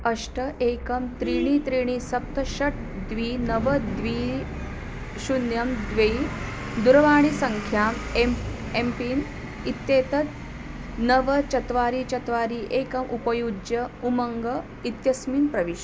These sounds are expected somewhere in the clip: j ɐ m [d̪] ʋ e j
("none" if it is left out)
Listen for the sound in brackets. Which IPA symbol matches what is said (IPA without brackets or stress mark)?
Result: d̪